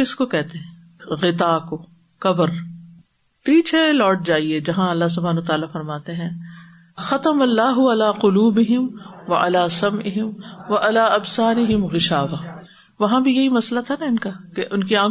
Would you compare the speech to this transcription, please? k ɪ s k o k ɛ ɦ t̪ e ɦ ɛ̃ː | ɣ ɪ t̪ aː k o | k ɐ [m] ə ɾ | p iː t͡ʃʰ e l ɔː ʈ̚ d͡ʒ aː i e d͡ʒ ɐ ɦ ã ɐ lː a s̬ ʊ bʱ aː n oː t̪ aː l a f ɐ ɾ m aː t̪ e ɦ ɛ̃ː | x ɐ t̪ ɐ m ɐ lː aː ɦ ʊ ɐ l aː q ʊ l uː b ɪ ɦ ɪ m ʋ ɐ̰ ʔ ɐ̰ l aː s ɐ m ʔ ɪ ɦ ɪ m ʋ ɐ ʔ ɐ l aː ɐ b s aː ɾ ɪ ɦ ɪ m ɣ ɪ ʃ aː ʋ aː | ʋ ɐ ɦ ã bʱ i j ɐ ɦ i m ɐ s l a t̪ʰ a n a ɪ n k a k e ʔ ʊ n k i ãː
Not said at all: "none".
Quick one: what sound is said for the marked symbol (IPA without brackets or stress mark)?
b